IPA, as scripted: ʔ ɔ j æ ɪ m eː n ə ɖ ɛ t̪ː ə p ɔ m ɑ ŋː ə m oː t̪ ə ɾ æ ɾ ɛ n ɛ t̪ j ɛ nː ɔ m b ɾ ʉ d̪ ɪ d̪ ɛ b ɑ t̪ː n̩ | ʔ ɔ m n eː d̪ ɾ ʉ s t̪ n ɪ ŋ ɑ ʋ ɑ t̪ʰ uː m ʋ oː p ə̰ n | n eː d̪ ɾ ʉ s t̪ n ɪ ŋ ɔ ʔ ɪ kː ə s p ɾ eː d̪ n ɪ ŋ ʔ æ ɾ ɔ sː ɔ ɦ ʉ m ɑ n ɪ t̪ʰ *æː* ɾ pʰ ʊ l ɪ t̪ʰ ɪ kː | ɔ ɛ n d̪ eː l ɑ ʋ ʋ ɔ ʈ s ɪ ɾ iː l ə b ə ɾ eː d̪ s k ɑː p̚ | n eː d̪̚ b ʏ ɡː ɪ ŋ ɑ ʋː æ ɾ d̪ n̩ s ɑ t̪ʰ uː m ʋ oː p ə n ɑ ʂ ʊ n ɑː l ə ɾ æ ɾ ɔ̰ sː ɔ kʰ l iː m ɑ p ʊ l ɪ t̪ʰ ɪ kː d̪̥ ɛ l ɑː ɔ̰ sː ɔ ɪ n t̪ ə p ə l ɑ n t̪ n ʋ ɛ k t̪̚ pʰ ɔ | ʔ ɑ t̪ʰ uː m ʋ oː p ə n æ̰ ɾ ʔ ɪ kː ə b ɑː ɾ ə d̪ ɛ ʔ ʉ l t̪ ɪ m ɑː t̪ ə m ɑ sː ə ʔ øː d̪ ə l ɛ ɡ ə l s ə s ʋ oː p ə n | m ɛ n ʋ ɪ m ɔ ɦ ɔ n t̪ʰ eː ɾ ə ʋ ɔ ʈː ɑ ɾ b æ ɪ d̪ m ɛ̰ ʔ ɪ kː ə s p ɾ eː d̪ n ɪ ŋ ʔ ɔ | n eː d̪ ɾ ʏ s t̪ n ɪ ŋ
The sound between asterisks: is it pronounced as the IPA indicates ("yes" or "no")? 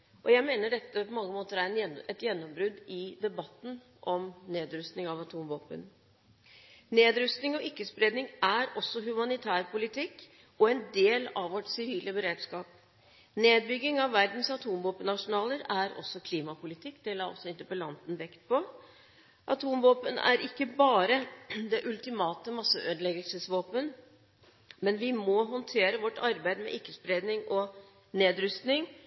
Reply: yes